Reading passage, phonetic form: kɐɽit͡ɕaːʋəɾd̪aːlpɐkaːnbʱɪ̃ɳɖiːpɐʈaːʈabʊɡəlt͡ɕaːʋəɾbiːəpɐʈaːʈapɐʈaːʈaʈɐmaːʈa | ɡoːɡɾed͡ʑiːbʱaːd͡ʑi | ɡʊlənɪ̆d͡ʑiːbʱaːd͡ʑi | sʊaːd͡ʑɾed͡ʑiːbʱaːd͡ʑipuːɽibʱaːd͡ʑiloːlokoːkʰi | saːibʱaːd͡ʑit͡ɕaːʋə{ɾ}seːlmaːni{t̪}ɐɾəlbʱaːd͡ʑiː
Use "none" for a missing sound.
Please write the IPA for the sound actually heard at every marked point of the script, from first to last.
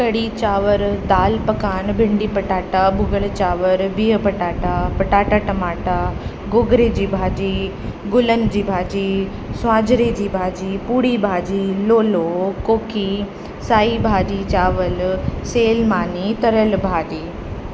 l, t̪

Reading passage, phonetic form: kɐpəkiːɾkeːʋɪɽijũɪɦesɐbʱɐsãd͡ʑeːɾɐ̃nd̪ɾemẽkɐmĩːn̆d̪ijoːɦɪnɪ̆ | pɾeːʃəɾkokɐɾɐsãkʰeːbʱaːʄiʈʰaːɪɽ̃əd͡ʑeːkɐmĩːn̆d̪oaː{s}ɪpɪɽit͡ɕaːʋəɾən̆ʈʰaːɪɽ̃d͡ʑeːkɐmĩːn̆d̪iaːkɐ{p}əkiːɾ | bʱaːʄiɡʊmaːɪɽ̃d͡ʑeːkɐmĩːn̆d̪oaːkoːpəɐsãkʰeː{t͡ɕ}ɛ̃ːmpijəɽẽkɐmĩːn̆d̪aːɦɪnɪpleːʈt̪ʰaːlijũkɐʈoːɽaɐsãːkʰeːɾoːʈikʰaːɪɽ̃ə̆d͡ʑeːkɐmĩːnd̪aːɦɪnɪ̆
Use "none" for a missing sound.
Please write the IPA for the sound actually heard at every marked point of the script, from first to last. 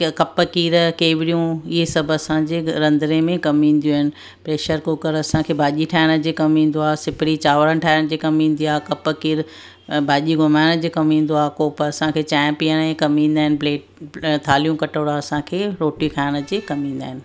s, p, t͡ɕ

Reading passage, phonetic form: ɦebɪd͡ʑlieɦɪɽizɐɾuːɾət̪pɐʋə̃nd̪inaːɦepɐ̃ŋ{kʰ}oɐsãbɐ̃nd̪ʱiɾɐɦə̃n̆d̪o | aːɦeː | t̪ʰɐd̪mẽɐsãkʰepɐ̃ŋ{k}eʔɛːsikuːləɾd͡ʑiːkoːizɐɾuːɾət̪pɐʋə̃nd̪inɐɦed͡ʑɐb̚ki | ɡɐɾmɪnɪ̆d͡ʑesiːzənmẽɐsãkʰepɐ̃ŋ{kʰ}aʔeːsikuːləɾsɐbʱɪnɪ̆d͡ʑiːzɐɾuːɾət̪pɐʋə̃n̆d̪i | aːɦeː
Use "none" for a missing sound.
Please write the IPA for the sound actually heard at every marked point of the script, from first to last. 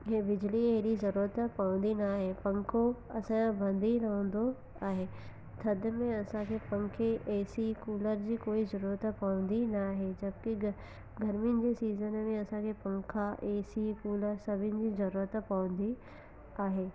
kʰ, kʰ, kʰ

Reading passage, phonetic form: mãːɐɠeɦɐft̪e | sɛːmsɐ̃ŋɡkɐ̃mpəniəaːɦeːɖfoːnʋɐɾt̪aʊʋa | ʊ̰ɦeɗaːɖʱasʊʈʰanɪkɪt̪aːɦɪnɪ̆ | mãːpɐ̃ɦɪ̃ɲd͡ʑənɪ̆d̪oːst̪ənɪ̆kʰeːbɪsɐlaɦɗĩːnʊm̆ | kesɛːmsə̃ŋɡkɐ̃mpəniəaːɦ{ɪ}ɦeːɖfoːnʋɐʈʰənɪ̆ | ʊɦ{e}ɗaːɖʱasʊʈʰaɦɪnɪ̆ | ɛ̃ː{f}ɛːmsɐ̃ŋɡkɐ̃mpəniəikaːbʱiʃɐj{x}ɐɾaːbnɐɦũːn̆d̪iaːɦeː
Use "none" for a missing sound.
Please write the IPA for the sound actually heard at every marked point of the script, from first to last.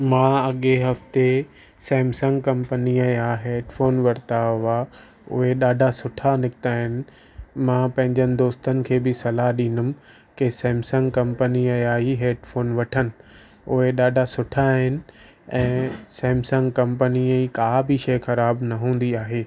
i, e, s, x

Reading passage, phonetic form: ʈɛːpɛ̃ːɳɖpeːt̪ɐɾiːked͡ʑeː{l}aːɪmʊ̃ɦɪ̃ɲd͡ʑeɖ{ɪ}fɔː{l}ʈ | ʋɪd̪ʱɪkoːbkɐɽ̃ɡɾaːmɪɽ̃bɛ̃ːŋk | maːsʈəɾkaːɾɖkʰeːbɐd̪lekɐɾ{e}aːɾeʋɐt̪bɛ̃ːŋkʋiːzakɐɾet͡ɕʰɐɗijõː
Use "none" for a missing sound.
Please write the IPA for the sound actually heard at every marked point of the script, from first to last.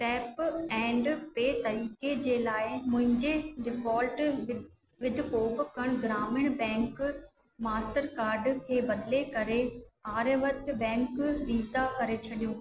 l, ɪ, l, e

